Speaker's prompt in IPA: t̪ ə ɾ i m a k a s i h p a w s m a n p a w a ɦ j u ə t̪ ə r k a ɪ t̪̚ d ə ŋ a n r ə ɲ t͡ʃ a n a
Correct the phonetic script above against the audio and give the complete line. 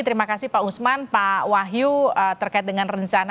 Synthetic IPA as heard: t̪ ə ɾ i m a k a s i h p a u s m a n p a w a ɦ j u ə t̪ ə r k a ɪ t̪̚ d ə ŋ a n r ə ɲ t͡ʃ a n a